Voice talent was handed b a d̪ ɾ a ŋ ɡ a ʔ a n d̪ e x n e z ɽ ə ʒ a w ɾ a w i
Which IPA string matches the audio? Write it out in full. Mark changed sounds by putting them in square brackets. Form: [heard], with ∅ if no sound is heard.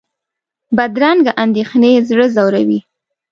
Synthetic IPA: b a d̪ ɾ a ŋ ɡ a ʔ a n d̪ e x n e z ɽ ə [z] a w ɾ a w i